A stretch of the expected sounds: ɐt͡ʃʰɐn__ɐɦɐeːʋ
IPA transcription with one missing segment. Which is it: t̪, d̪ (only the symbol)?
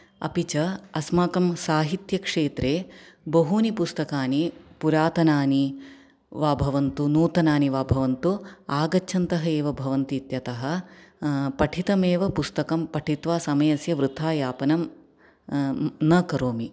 t̪